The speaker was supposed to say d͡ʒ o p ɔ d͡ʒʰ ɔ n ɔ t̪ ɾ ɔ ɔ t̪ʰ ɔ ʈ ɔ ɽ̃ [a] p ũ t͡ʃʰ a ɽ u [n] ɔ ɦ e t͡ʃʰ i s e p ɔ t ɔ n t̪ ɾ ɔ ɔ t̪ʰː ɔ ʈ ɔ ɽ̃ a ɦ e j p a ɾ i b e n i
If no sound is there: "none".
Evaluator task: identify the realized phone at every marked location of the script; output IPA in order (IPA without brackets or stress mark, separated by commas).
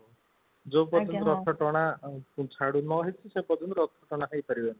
a, n